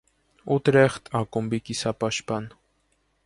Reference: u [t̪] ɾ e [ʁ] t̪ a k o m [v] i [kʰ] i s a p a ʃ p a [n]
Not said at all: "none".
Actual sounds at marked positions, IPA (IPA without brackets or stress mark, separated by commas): t̪, χ, b, k, n